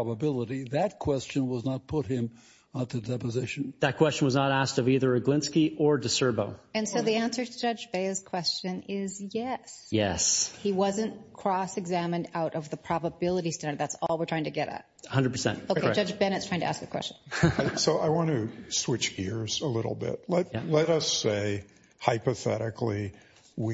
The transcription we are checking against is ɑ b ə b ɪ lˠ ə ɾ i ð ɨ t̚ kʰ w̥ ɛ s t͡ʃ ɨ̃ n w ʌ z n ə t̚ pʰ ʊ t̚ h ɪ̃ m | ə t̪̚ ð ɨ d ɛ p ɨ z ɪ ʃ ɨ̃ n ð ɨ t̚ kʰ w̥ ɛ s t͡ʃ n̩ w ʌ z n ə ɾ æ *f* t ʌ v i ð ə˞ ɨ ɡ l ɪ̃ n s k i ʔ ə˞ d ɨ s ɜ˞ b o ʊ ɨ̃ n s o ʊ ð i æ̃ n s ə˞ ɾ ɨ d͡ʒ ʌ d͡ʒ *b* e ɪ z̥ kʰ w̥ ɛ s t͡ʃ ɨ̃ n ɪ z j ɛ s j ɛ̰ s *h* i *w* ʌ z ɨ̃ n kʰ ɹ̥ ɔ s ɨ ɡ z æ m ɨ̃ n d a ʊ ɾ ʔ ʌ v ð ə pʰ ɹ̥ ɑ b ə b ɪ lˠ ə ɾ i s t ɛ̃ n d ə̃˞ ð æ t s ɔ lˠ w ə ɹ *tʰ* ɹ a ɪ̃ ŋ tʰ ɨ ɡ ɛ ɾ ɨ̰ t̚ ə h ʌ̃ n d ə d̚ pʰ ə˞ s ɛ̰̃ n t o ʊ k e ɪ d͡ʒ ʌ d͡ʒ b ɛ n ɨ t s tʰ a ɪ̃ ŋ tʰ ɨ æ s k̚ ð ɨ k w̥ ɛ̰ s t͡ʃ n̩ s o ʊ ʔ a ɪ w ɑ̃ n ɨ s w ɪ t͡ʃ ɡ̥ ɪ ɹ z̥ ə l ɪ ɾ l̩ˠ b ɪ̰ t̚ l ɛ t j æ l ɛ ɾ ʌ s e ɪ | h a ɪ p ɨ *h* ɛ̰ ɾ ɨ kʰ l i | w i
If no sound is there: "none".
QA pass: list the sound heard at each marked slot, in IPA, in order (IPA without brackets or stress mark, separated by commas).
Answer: s, b, h, w, tʰ, θ